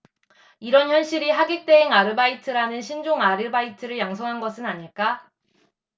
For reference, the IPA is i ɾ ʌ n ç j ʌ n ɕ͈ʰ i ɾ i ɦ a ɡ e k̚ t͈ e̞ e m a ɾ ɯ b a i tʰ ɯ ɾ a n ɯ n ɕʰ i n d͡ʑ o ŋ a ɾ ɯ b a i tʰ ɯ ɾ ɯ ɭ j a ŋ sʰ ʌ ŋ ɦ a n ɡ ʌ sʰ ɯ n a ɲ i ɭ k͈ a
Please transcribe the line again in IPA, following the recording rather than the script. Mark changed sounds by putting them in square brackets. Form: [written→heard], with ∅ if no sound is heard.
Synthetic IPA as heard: i ɾ ʌ n ç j ʌ n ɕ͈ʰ i ɾ i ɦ a ɡ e k̚ t͈ e̞ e [m→ŋ] a ɾ ɯ b a i tʰ ɯ ɾ a n ɯ n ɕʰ i n d͡ʑ o ŋ a ɾ ɯ b a i tʰ ɯ ɾ ɯ ɭ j a ŋ sʰ ʌ ŋ ɦ a n ɡ ʌ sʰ ɯ n a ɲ i ɭ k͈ a